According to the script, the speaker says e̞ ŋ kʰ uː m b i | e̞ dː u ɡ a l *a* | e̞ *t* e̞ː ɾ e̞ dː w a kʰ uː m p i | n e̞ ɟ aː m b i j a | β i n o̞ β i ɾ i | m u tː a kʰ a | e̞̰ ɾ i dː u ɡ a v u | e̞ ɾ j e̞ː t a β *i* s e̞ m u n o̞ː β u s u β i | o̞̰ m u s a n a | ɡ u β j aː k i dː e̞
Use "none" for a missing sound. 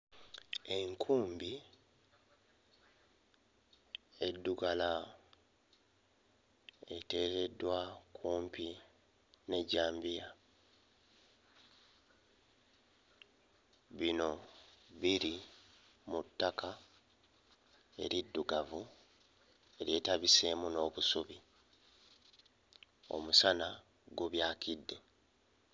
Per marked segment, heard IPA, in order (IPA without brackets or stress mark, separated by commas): a, t, i